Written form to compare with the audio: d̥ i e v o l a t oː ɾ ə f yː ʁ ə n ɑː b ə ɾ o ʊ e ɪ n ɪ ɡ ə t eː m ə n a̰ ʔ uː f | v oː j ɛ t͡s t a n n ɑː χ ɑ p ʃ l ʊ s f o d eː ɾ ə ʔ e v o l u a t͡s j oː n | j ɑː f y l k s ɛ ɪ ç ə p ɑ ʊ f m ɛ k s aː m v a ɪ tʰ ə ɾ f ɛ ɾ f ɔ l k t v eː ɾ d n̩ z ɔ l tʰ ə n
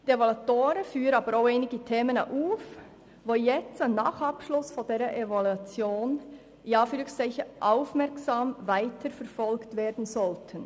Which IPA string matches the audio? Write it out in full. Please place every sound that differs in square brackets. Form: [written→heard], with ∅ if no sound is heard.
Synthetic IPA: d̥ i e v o l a t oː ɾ ə f yː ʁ ə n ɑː b ə ɾ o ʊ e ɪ n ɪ ɡ ə [t→tʰ] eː m ə n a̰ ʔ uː f | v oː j ɛ t͡s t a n n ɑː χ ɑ p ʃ l ʊ s f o d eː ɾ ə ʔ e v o l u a t͡s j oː n | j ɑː f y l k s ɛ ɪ ç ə [p→ʔ] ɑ ʊ f m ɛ k s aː m v a ɪ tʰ ə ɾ f ɛ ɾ f ɔ l k t v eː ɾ d n̩ z ɔ l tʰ ə n